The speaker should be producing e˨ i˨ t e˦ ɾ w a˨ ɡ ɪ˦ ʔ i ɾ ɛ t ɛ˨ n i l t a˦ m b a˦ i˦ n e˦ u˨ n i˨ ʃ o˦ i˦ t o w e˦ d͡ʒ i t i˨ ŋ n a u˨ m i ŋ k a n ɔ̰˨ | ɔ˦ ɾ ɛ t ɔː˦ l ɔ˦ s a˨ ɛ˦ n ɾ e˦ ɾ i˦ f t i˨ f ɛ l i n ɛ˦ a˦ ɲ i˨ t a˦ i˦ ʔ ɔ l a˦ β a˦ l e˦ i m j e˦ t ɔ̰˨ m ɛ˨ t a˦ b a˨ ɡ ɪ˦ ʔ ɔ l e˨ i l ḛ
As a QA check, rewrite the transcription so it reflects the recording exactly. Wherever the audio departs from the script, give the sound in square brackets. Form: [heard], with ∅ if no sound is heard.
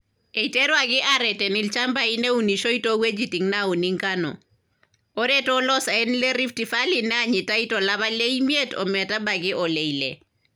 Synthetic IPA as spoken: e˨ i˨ t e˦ ɾ w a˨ ɡ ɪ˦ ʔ [a] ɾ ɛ t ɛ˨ n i l [t͡ʃ] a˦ m b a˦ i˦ n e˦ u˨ n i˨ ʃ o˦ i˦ t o w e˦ d͡ʒ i t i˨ ŋ n a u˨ [n] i ŋ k a n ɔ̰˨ | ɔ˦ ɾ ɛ t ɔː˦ l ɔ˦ s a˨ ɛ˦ n [l] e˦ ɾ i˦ f t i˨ f [a] l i n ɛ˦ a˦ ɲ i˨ t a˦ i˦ [t] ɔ l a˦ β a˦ l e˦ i m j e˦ t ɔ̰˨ m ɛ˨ t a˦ b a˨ ɡ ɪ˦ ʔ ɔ l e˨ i l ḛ